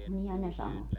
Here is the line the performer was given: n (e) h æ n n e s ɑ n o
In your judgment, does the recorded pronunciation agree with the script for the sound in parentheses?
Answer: no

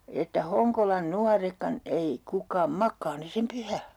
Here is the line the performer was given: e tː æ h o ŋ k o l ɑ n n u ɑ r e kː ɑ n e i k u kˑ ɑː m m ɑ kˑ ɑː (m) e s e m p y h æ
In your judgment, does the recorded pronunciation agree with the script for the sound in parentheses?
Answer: no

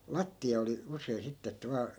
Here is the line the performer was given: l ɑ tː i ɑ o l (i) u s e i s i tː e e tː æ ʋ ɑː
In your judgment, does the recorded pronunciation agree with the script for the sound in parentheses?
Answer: yes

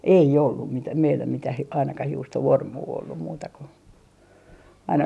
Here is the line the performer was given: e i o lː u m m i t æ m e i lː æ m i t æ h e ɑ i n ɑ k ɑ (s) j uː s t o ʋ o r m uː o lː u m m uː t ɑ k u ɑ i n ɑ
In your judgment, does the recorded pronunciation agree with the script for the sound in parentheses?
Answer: no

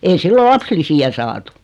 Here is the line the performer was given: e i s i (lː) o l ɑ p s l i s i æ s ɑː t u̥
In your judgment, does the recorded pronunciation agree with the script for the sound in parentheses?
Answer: yes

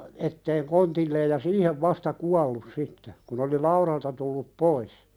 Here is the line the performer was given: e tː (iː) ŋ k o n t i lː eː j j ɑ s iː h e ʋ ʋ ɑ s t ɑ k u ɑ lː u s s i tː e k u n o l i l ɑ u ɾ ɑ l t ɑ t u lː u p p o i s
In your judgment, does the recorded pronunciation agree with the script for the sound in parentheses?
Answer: no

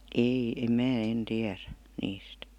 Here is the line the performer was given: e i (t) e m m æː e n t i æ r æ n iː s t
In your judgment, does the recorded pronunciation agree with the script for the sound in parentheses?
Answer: no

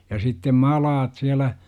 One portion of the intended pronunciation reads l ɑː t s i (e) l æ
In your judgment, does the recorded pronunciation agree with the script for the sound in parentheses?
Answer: no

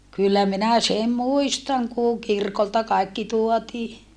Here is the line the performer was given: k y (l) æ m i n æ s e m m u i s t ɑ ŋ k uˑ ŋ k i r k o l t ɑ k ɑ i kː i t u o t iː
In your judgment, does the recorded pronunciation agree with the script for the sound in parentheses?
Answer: no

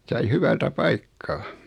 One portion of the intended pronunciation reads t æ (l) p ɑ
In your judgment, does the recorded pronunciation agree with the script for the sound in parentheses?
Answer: no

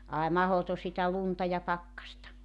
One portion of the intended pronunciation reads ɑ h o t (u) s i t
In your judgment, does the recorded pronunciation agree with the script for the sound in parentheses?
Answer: no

